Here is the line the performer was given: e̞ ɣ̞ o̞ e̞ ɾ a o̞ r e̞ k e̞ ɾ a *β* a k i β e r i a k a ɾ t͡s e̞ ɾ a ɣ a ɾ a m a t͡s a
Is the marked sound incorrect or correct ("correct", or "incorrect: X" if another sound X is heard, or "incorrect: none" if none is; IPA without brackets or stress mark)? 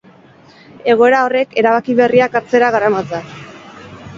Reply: correct